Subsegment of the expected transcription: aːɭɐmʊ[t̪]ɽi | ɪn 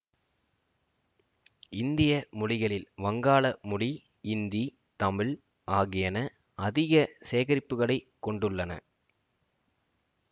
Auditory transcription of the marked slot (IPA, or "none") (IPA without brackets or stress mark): none